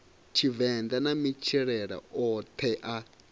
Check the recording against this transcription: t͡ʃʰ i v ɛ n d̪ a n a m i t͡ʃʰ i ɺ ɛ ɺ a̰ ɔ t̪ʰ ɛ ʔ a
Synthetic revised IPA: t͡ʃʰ i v ɛ n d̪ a n a m i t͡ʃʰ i ɺ ɛ ɺ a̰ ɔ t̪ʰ ɛ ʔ a